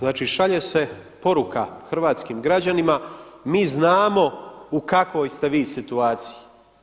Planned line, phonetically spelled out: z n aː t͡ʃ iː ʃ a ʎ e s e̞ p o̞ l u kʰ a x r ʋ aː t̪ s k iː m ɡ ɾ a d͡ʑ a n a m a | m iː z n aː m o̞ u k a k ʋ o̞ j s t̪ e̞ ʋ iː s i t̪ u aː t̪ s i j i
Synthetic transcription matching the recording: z n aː t͡ʃ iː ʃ a ʎ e s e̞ p o̞ ɾ u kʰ a x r ʋ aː t̪ s k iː m ɡ ɾ a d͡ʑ a n i m a | m iː z n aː m o̞ u k a k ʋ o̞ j s t̪ e̞ ʋ iː s i t̪ u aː t̪ s i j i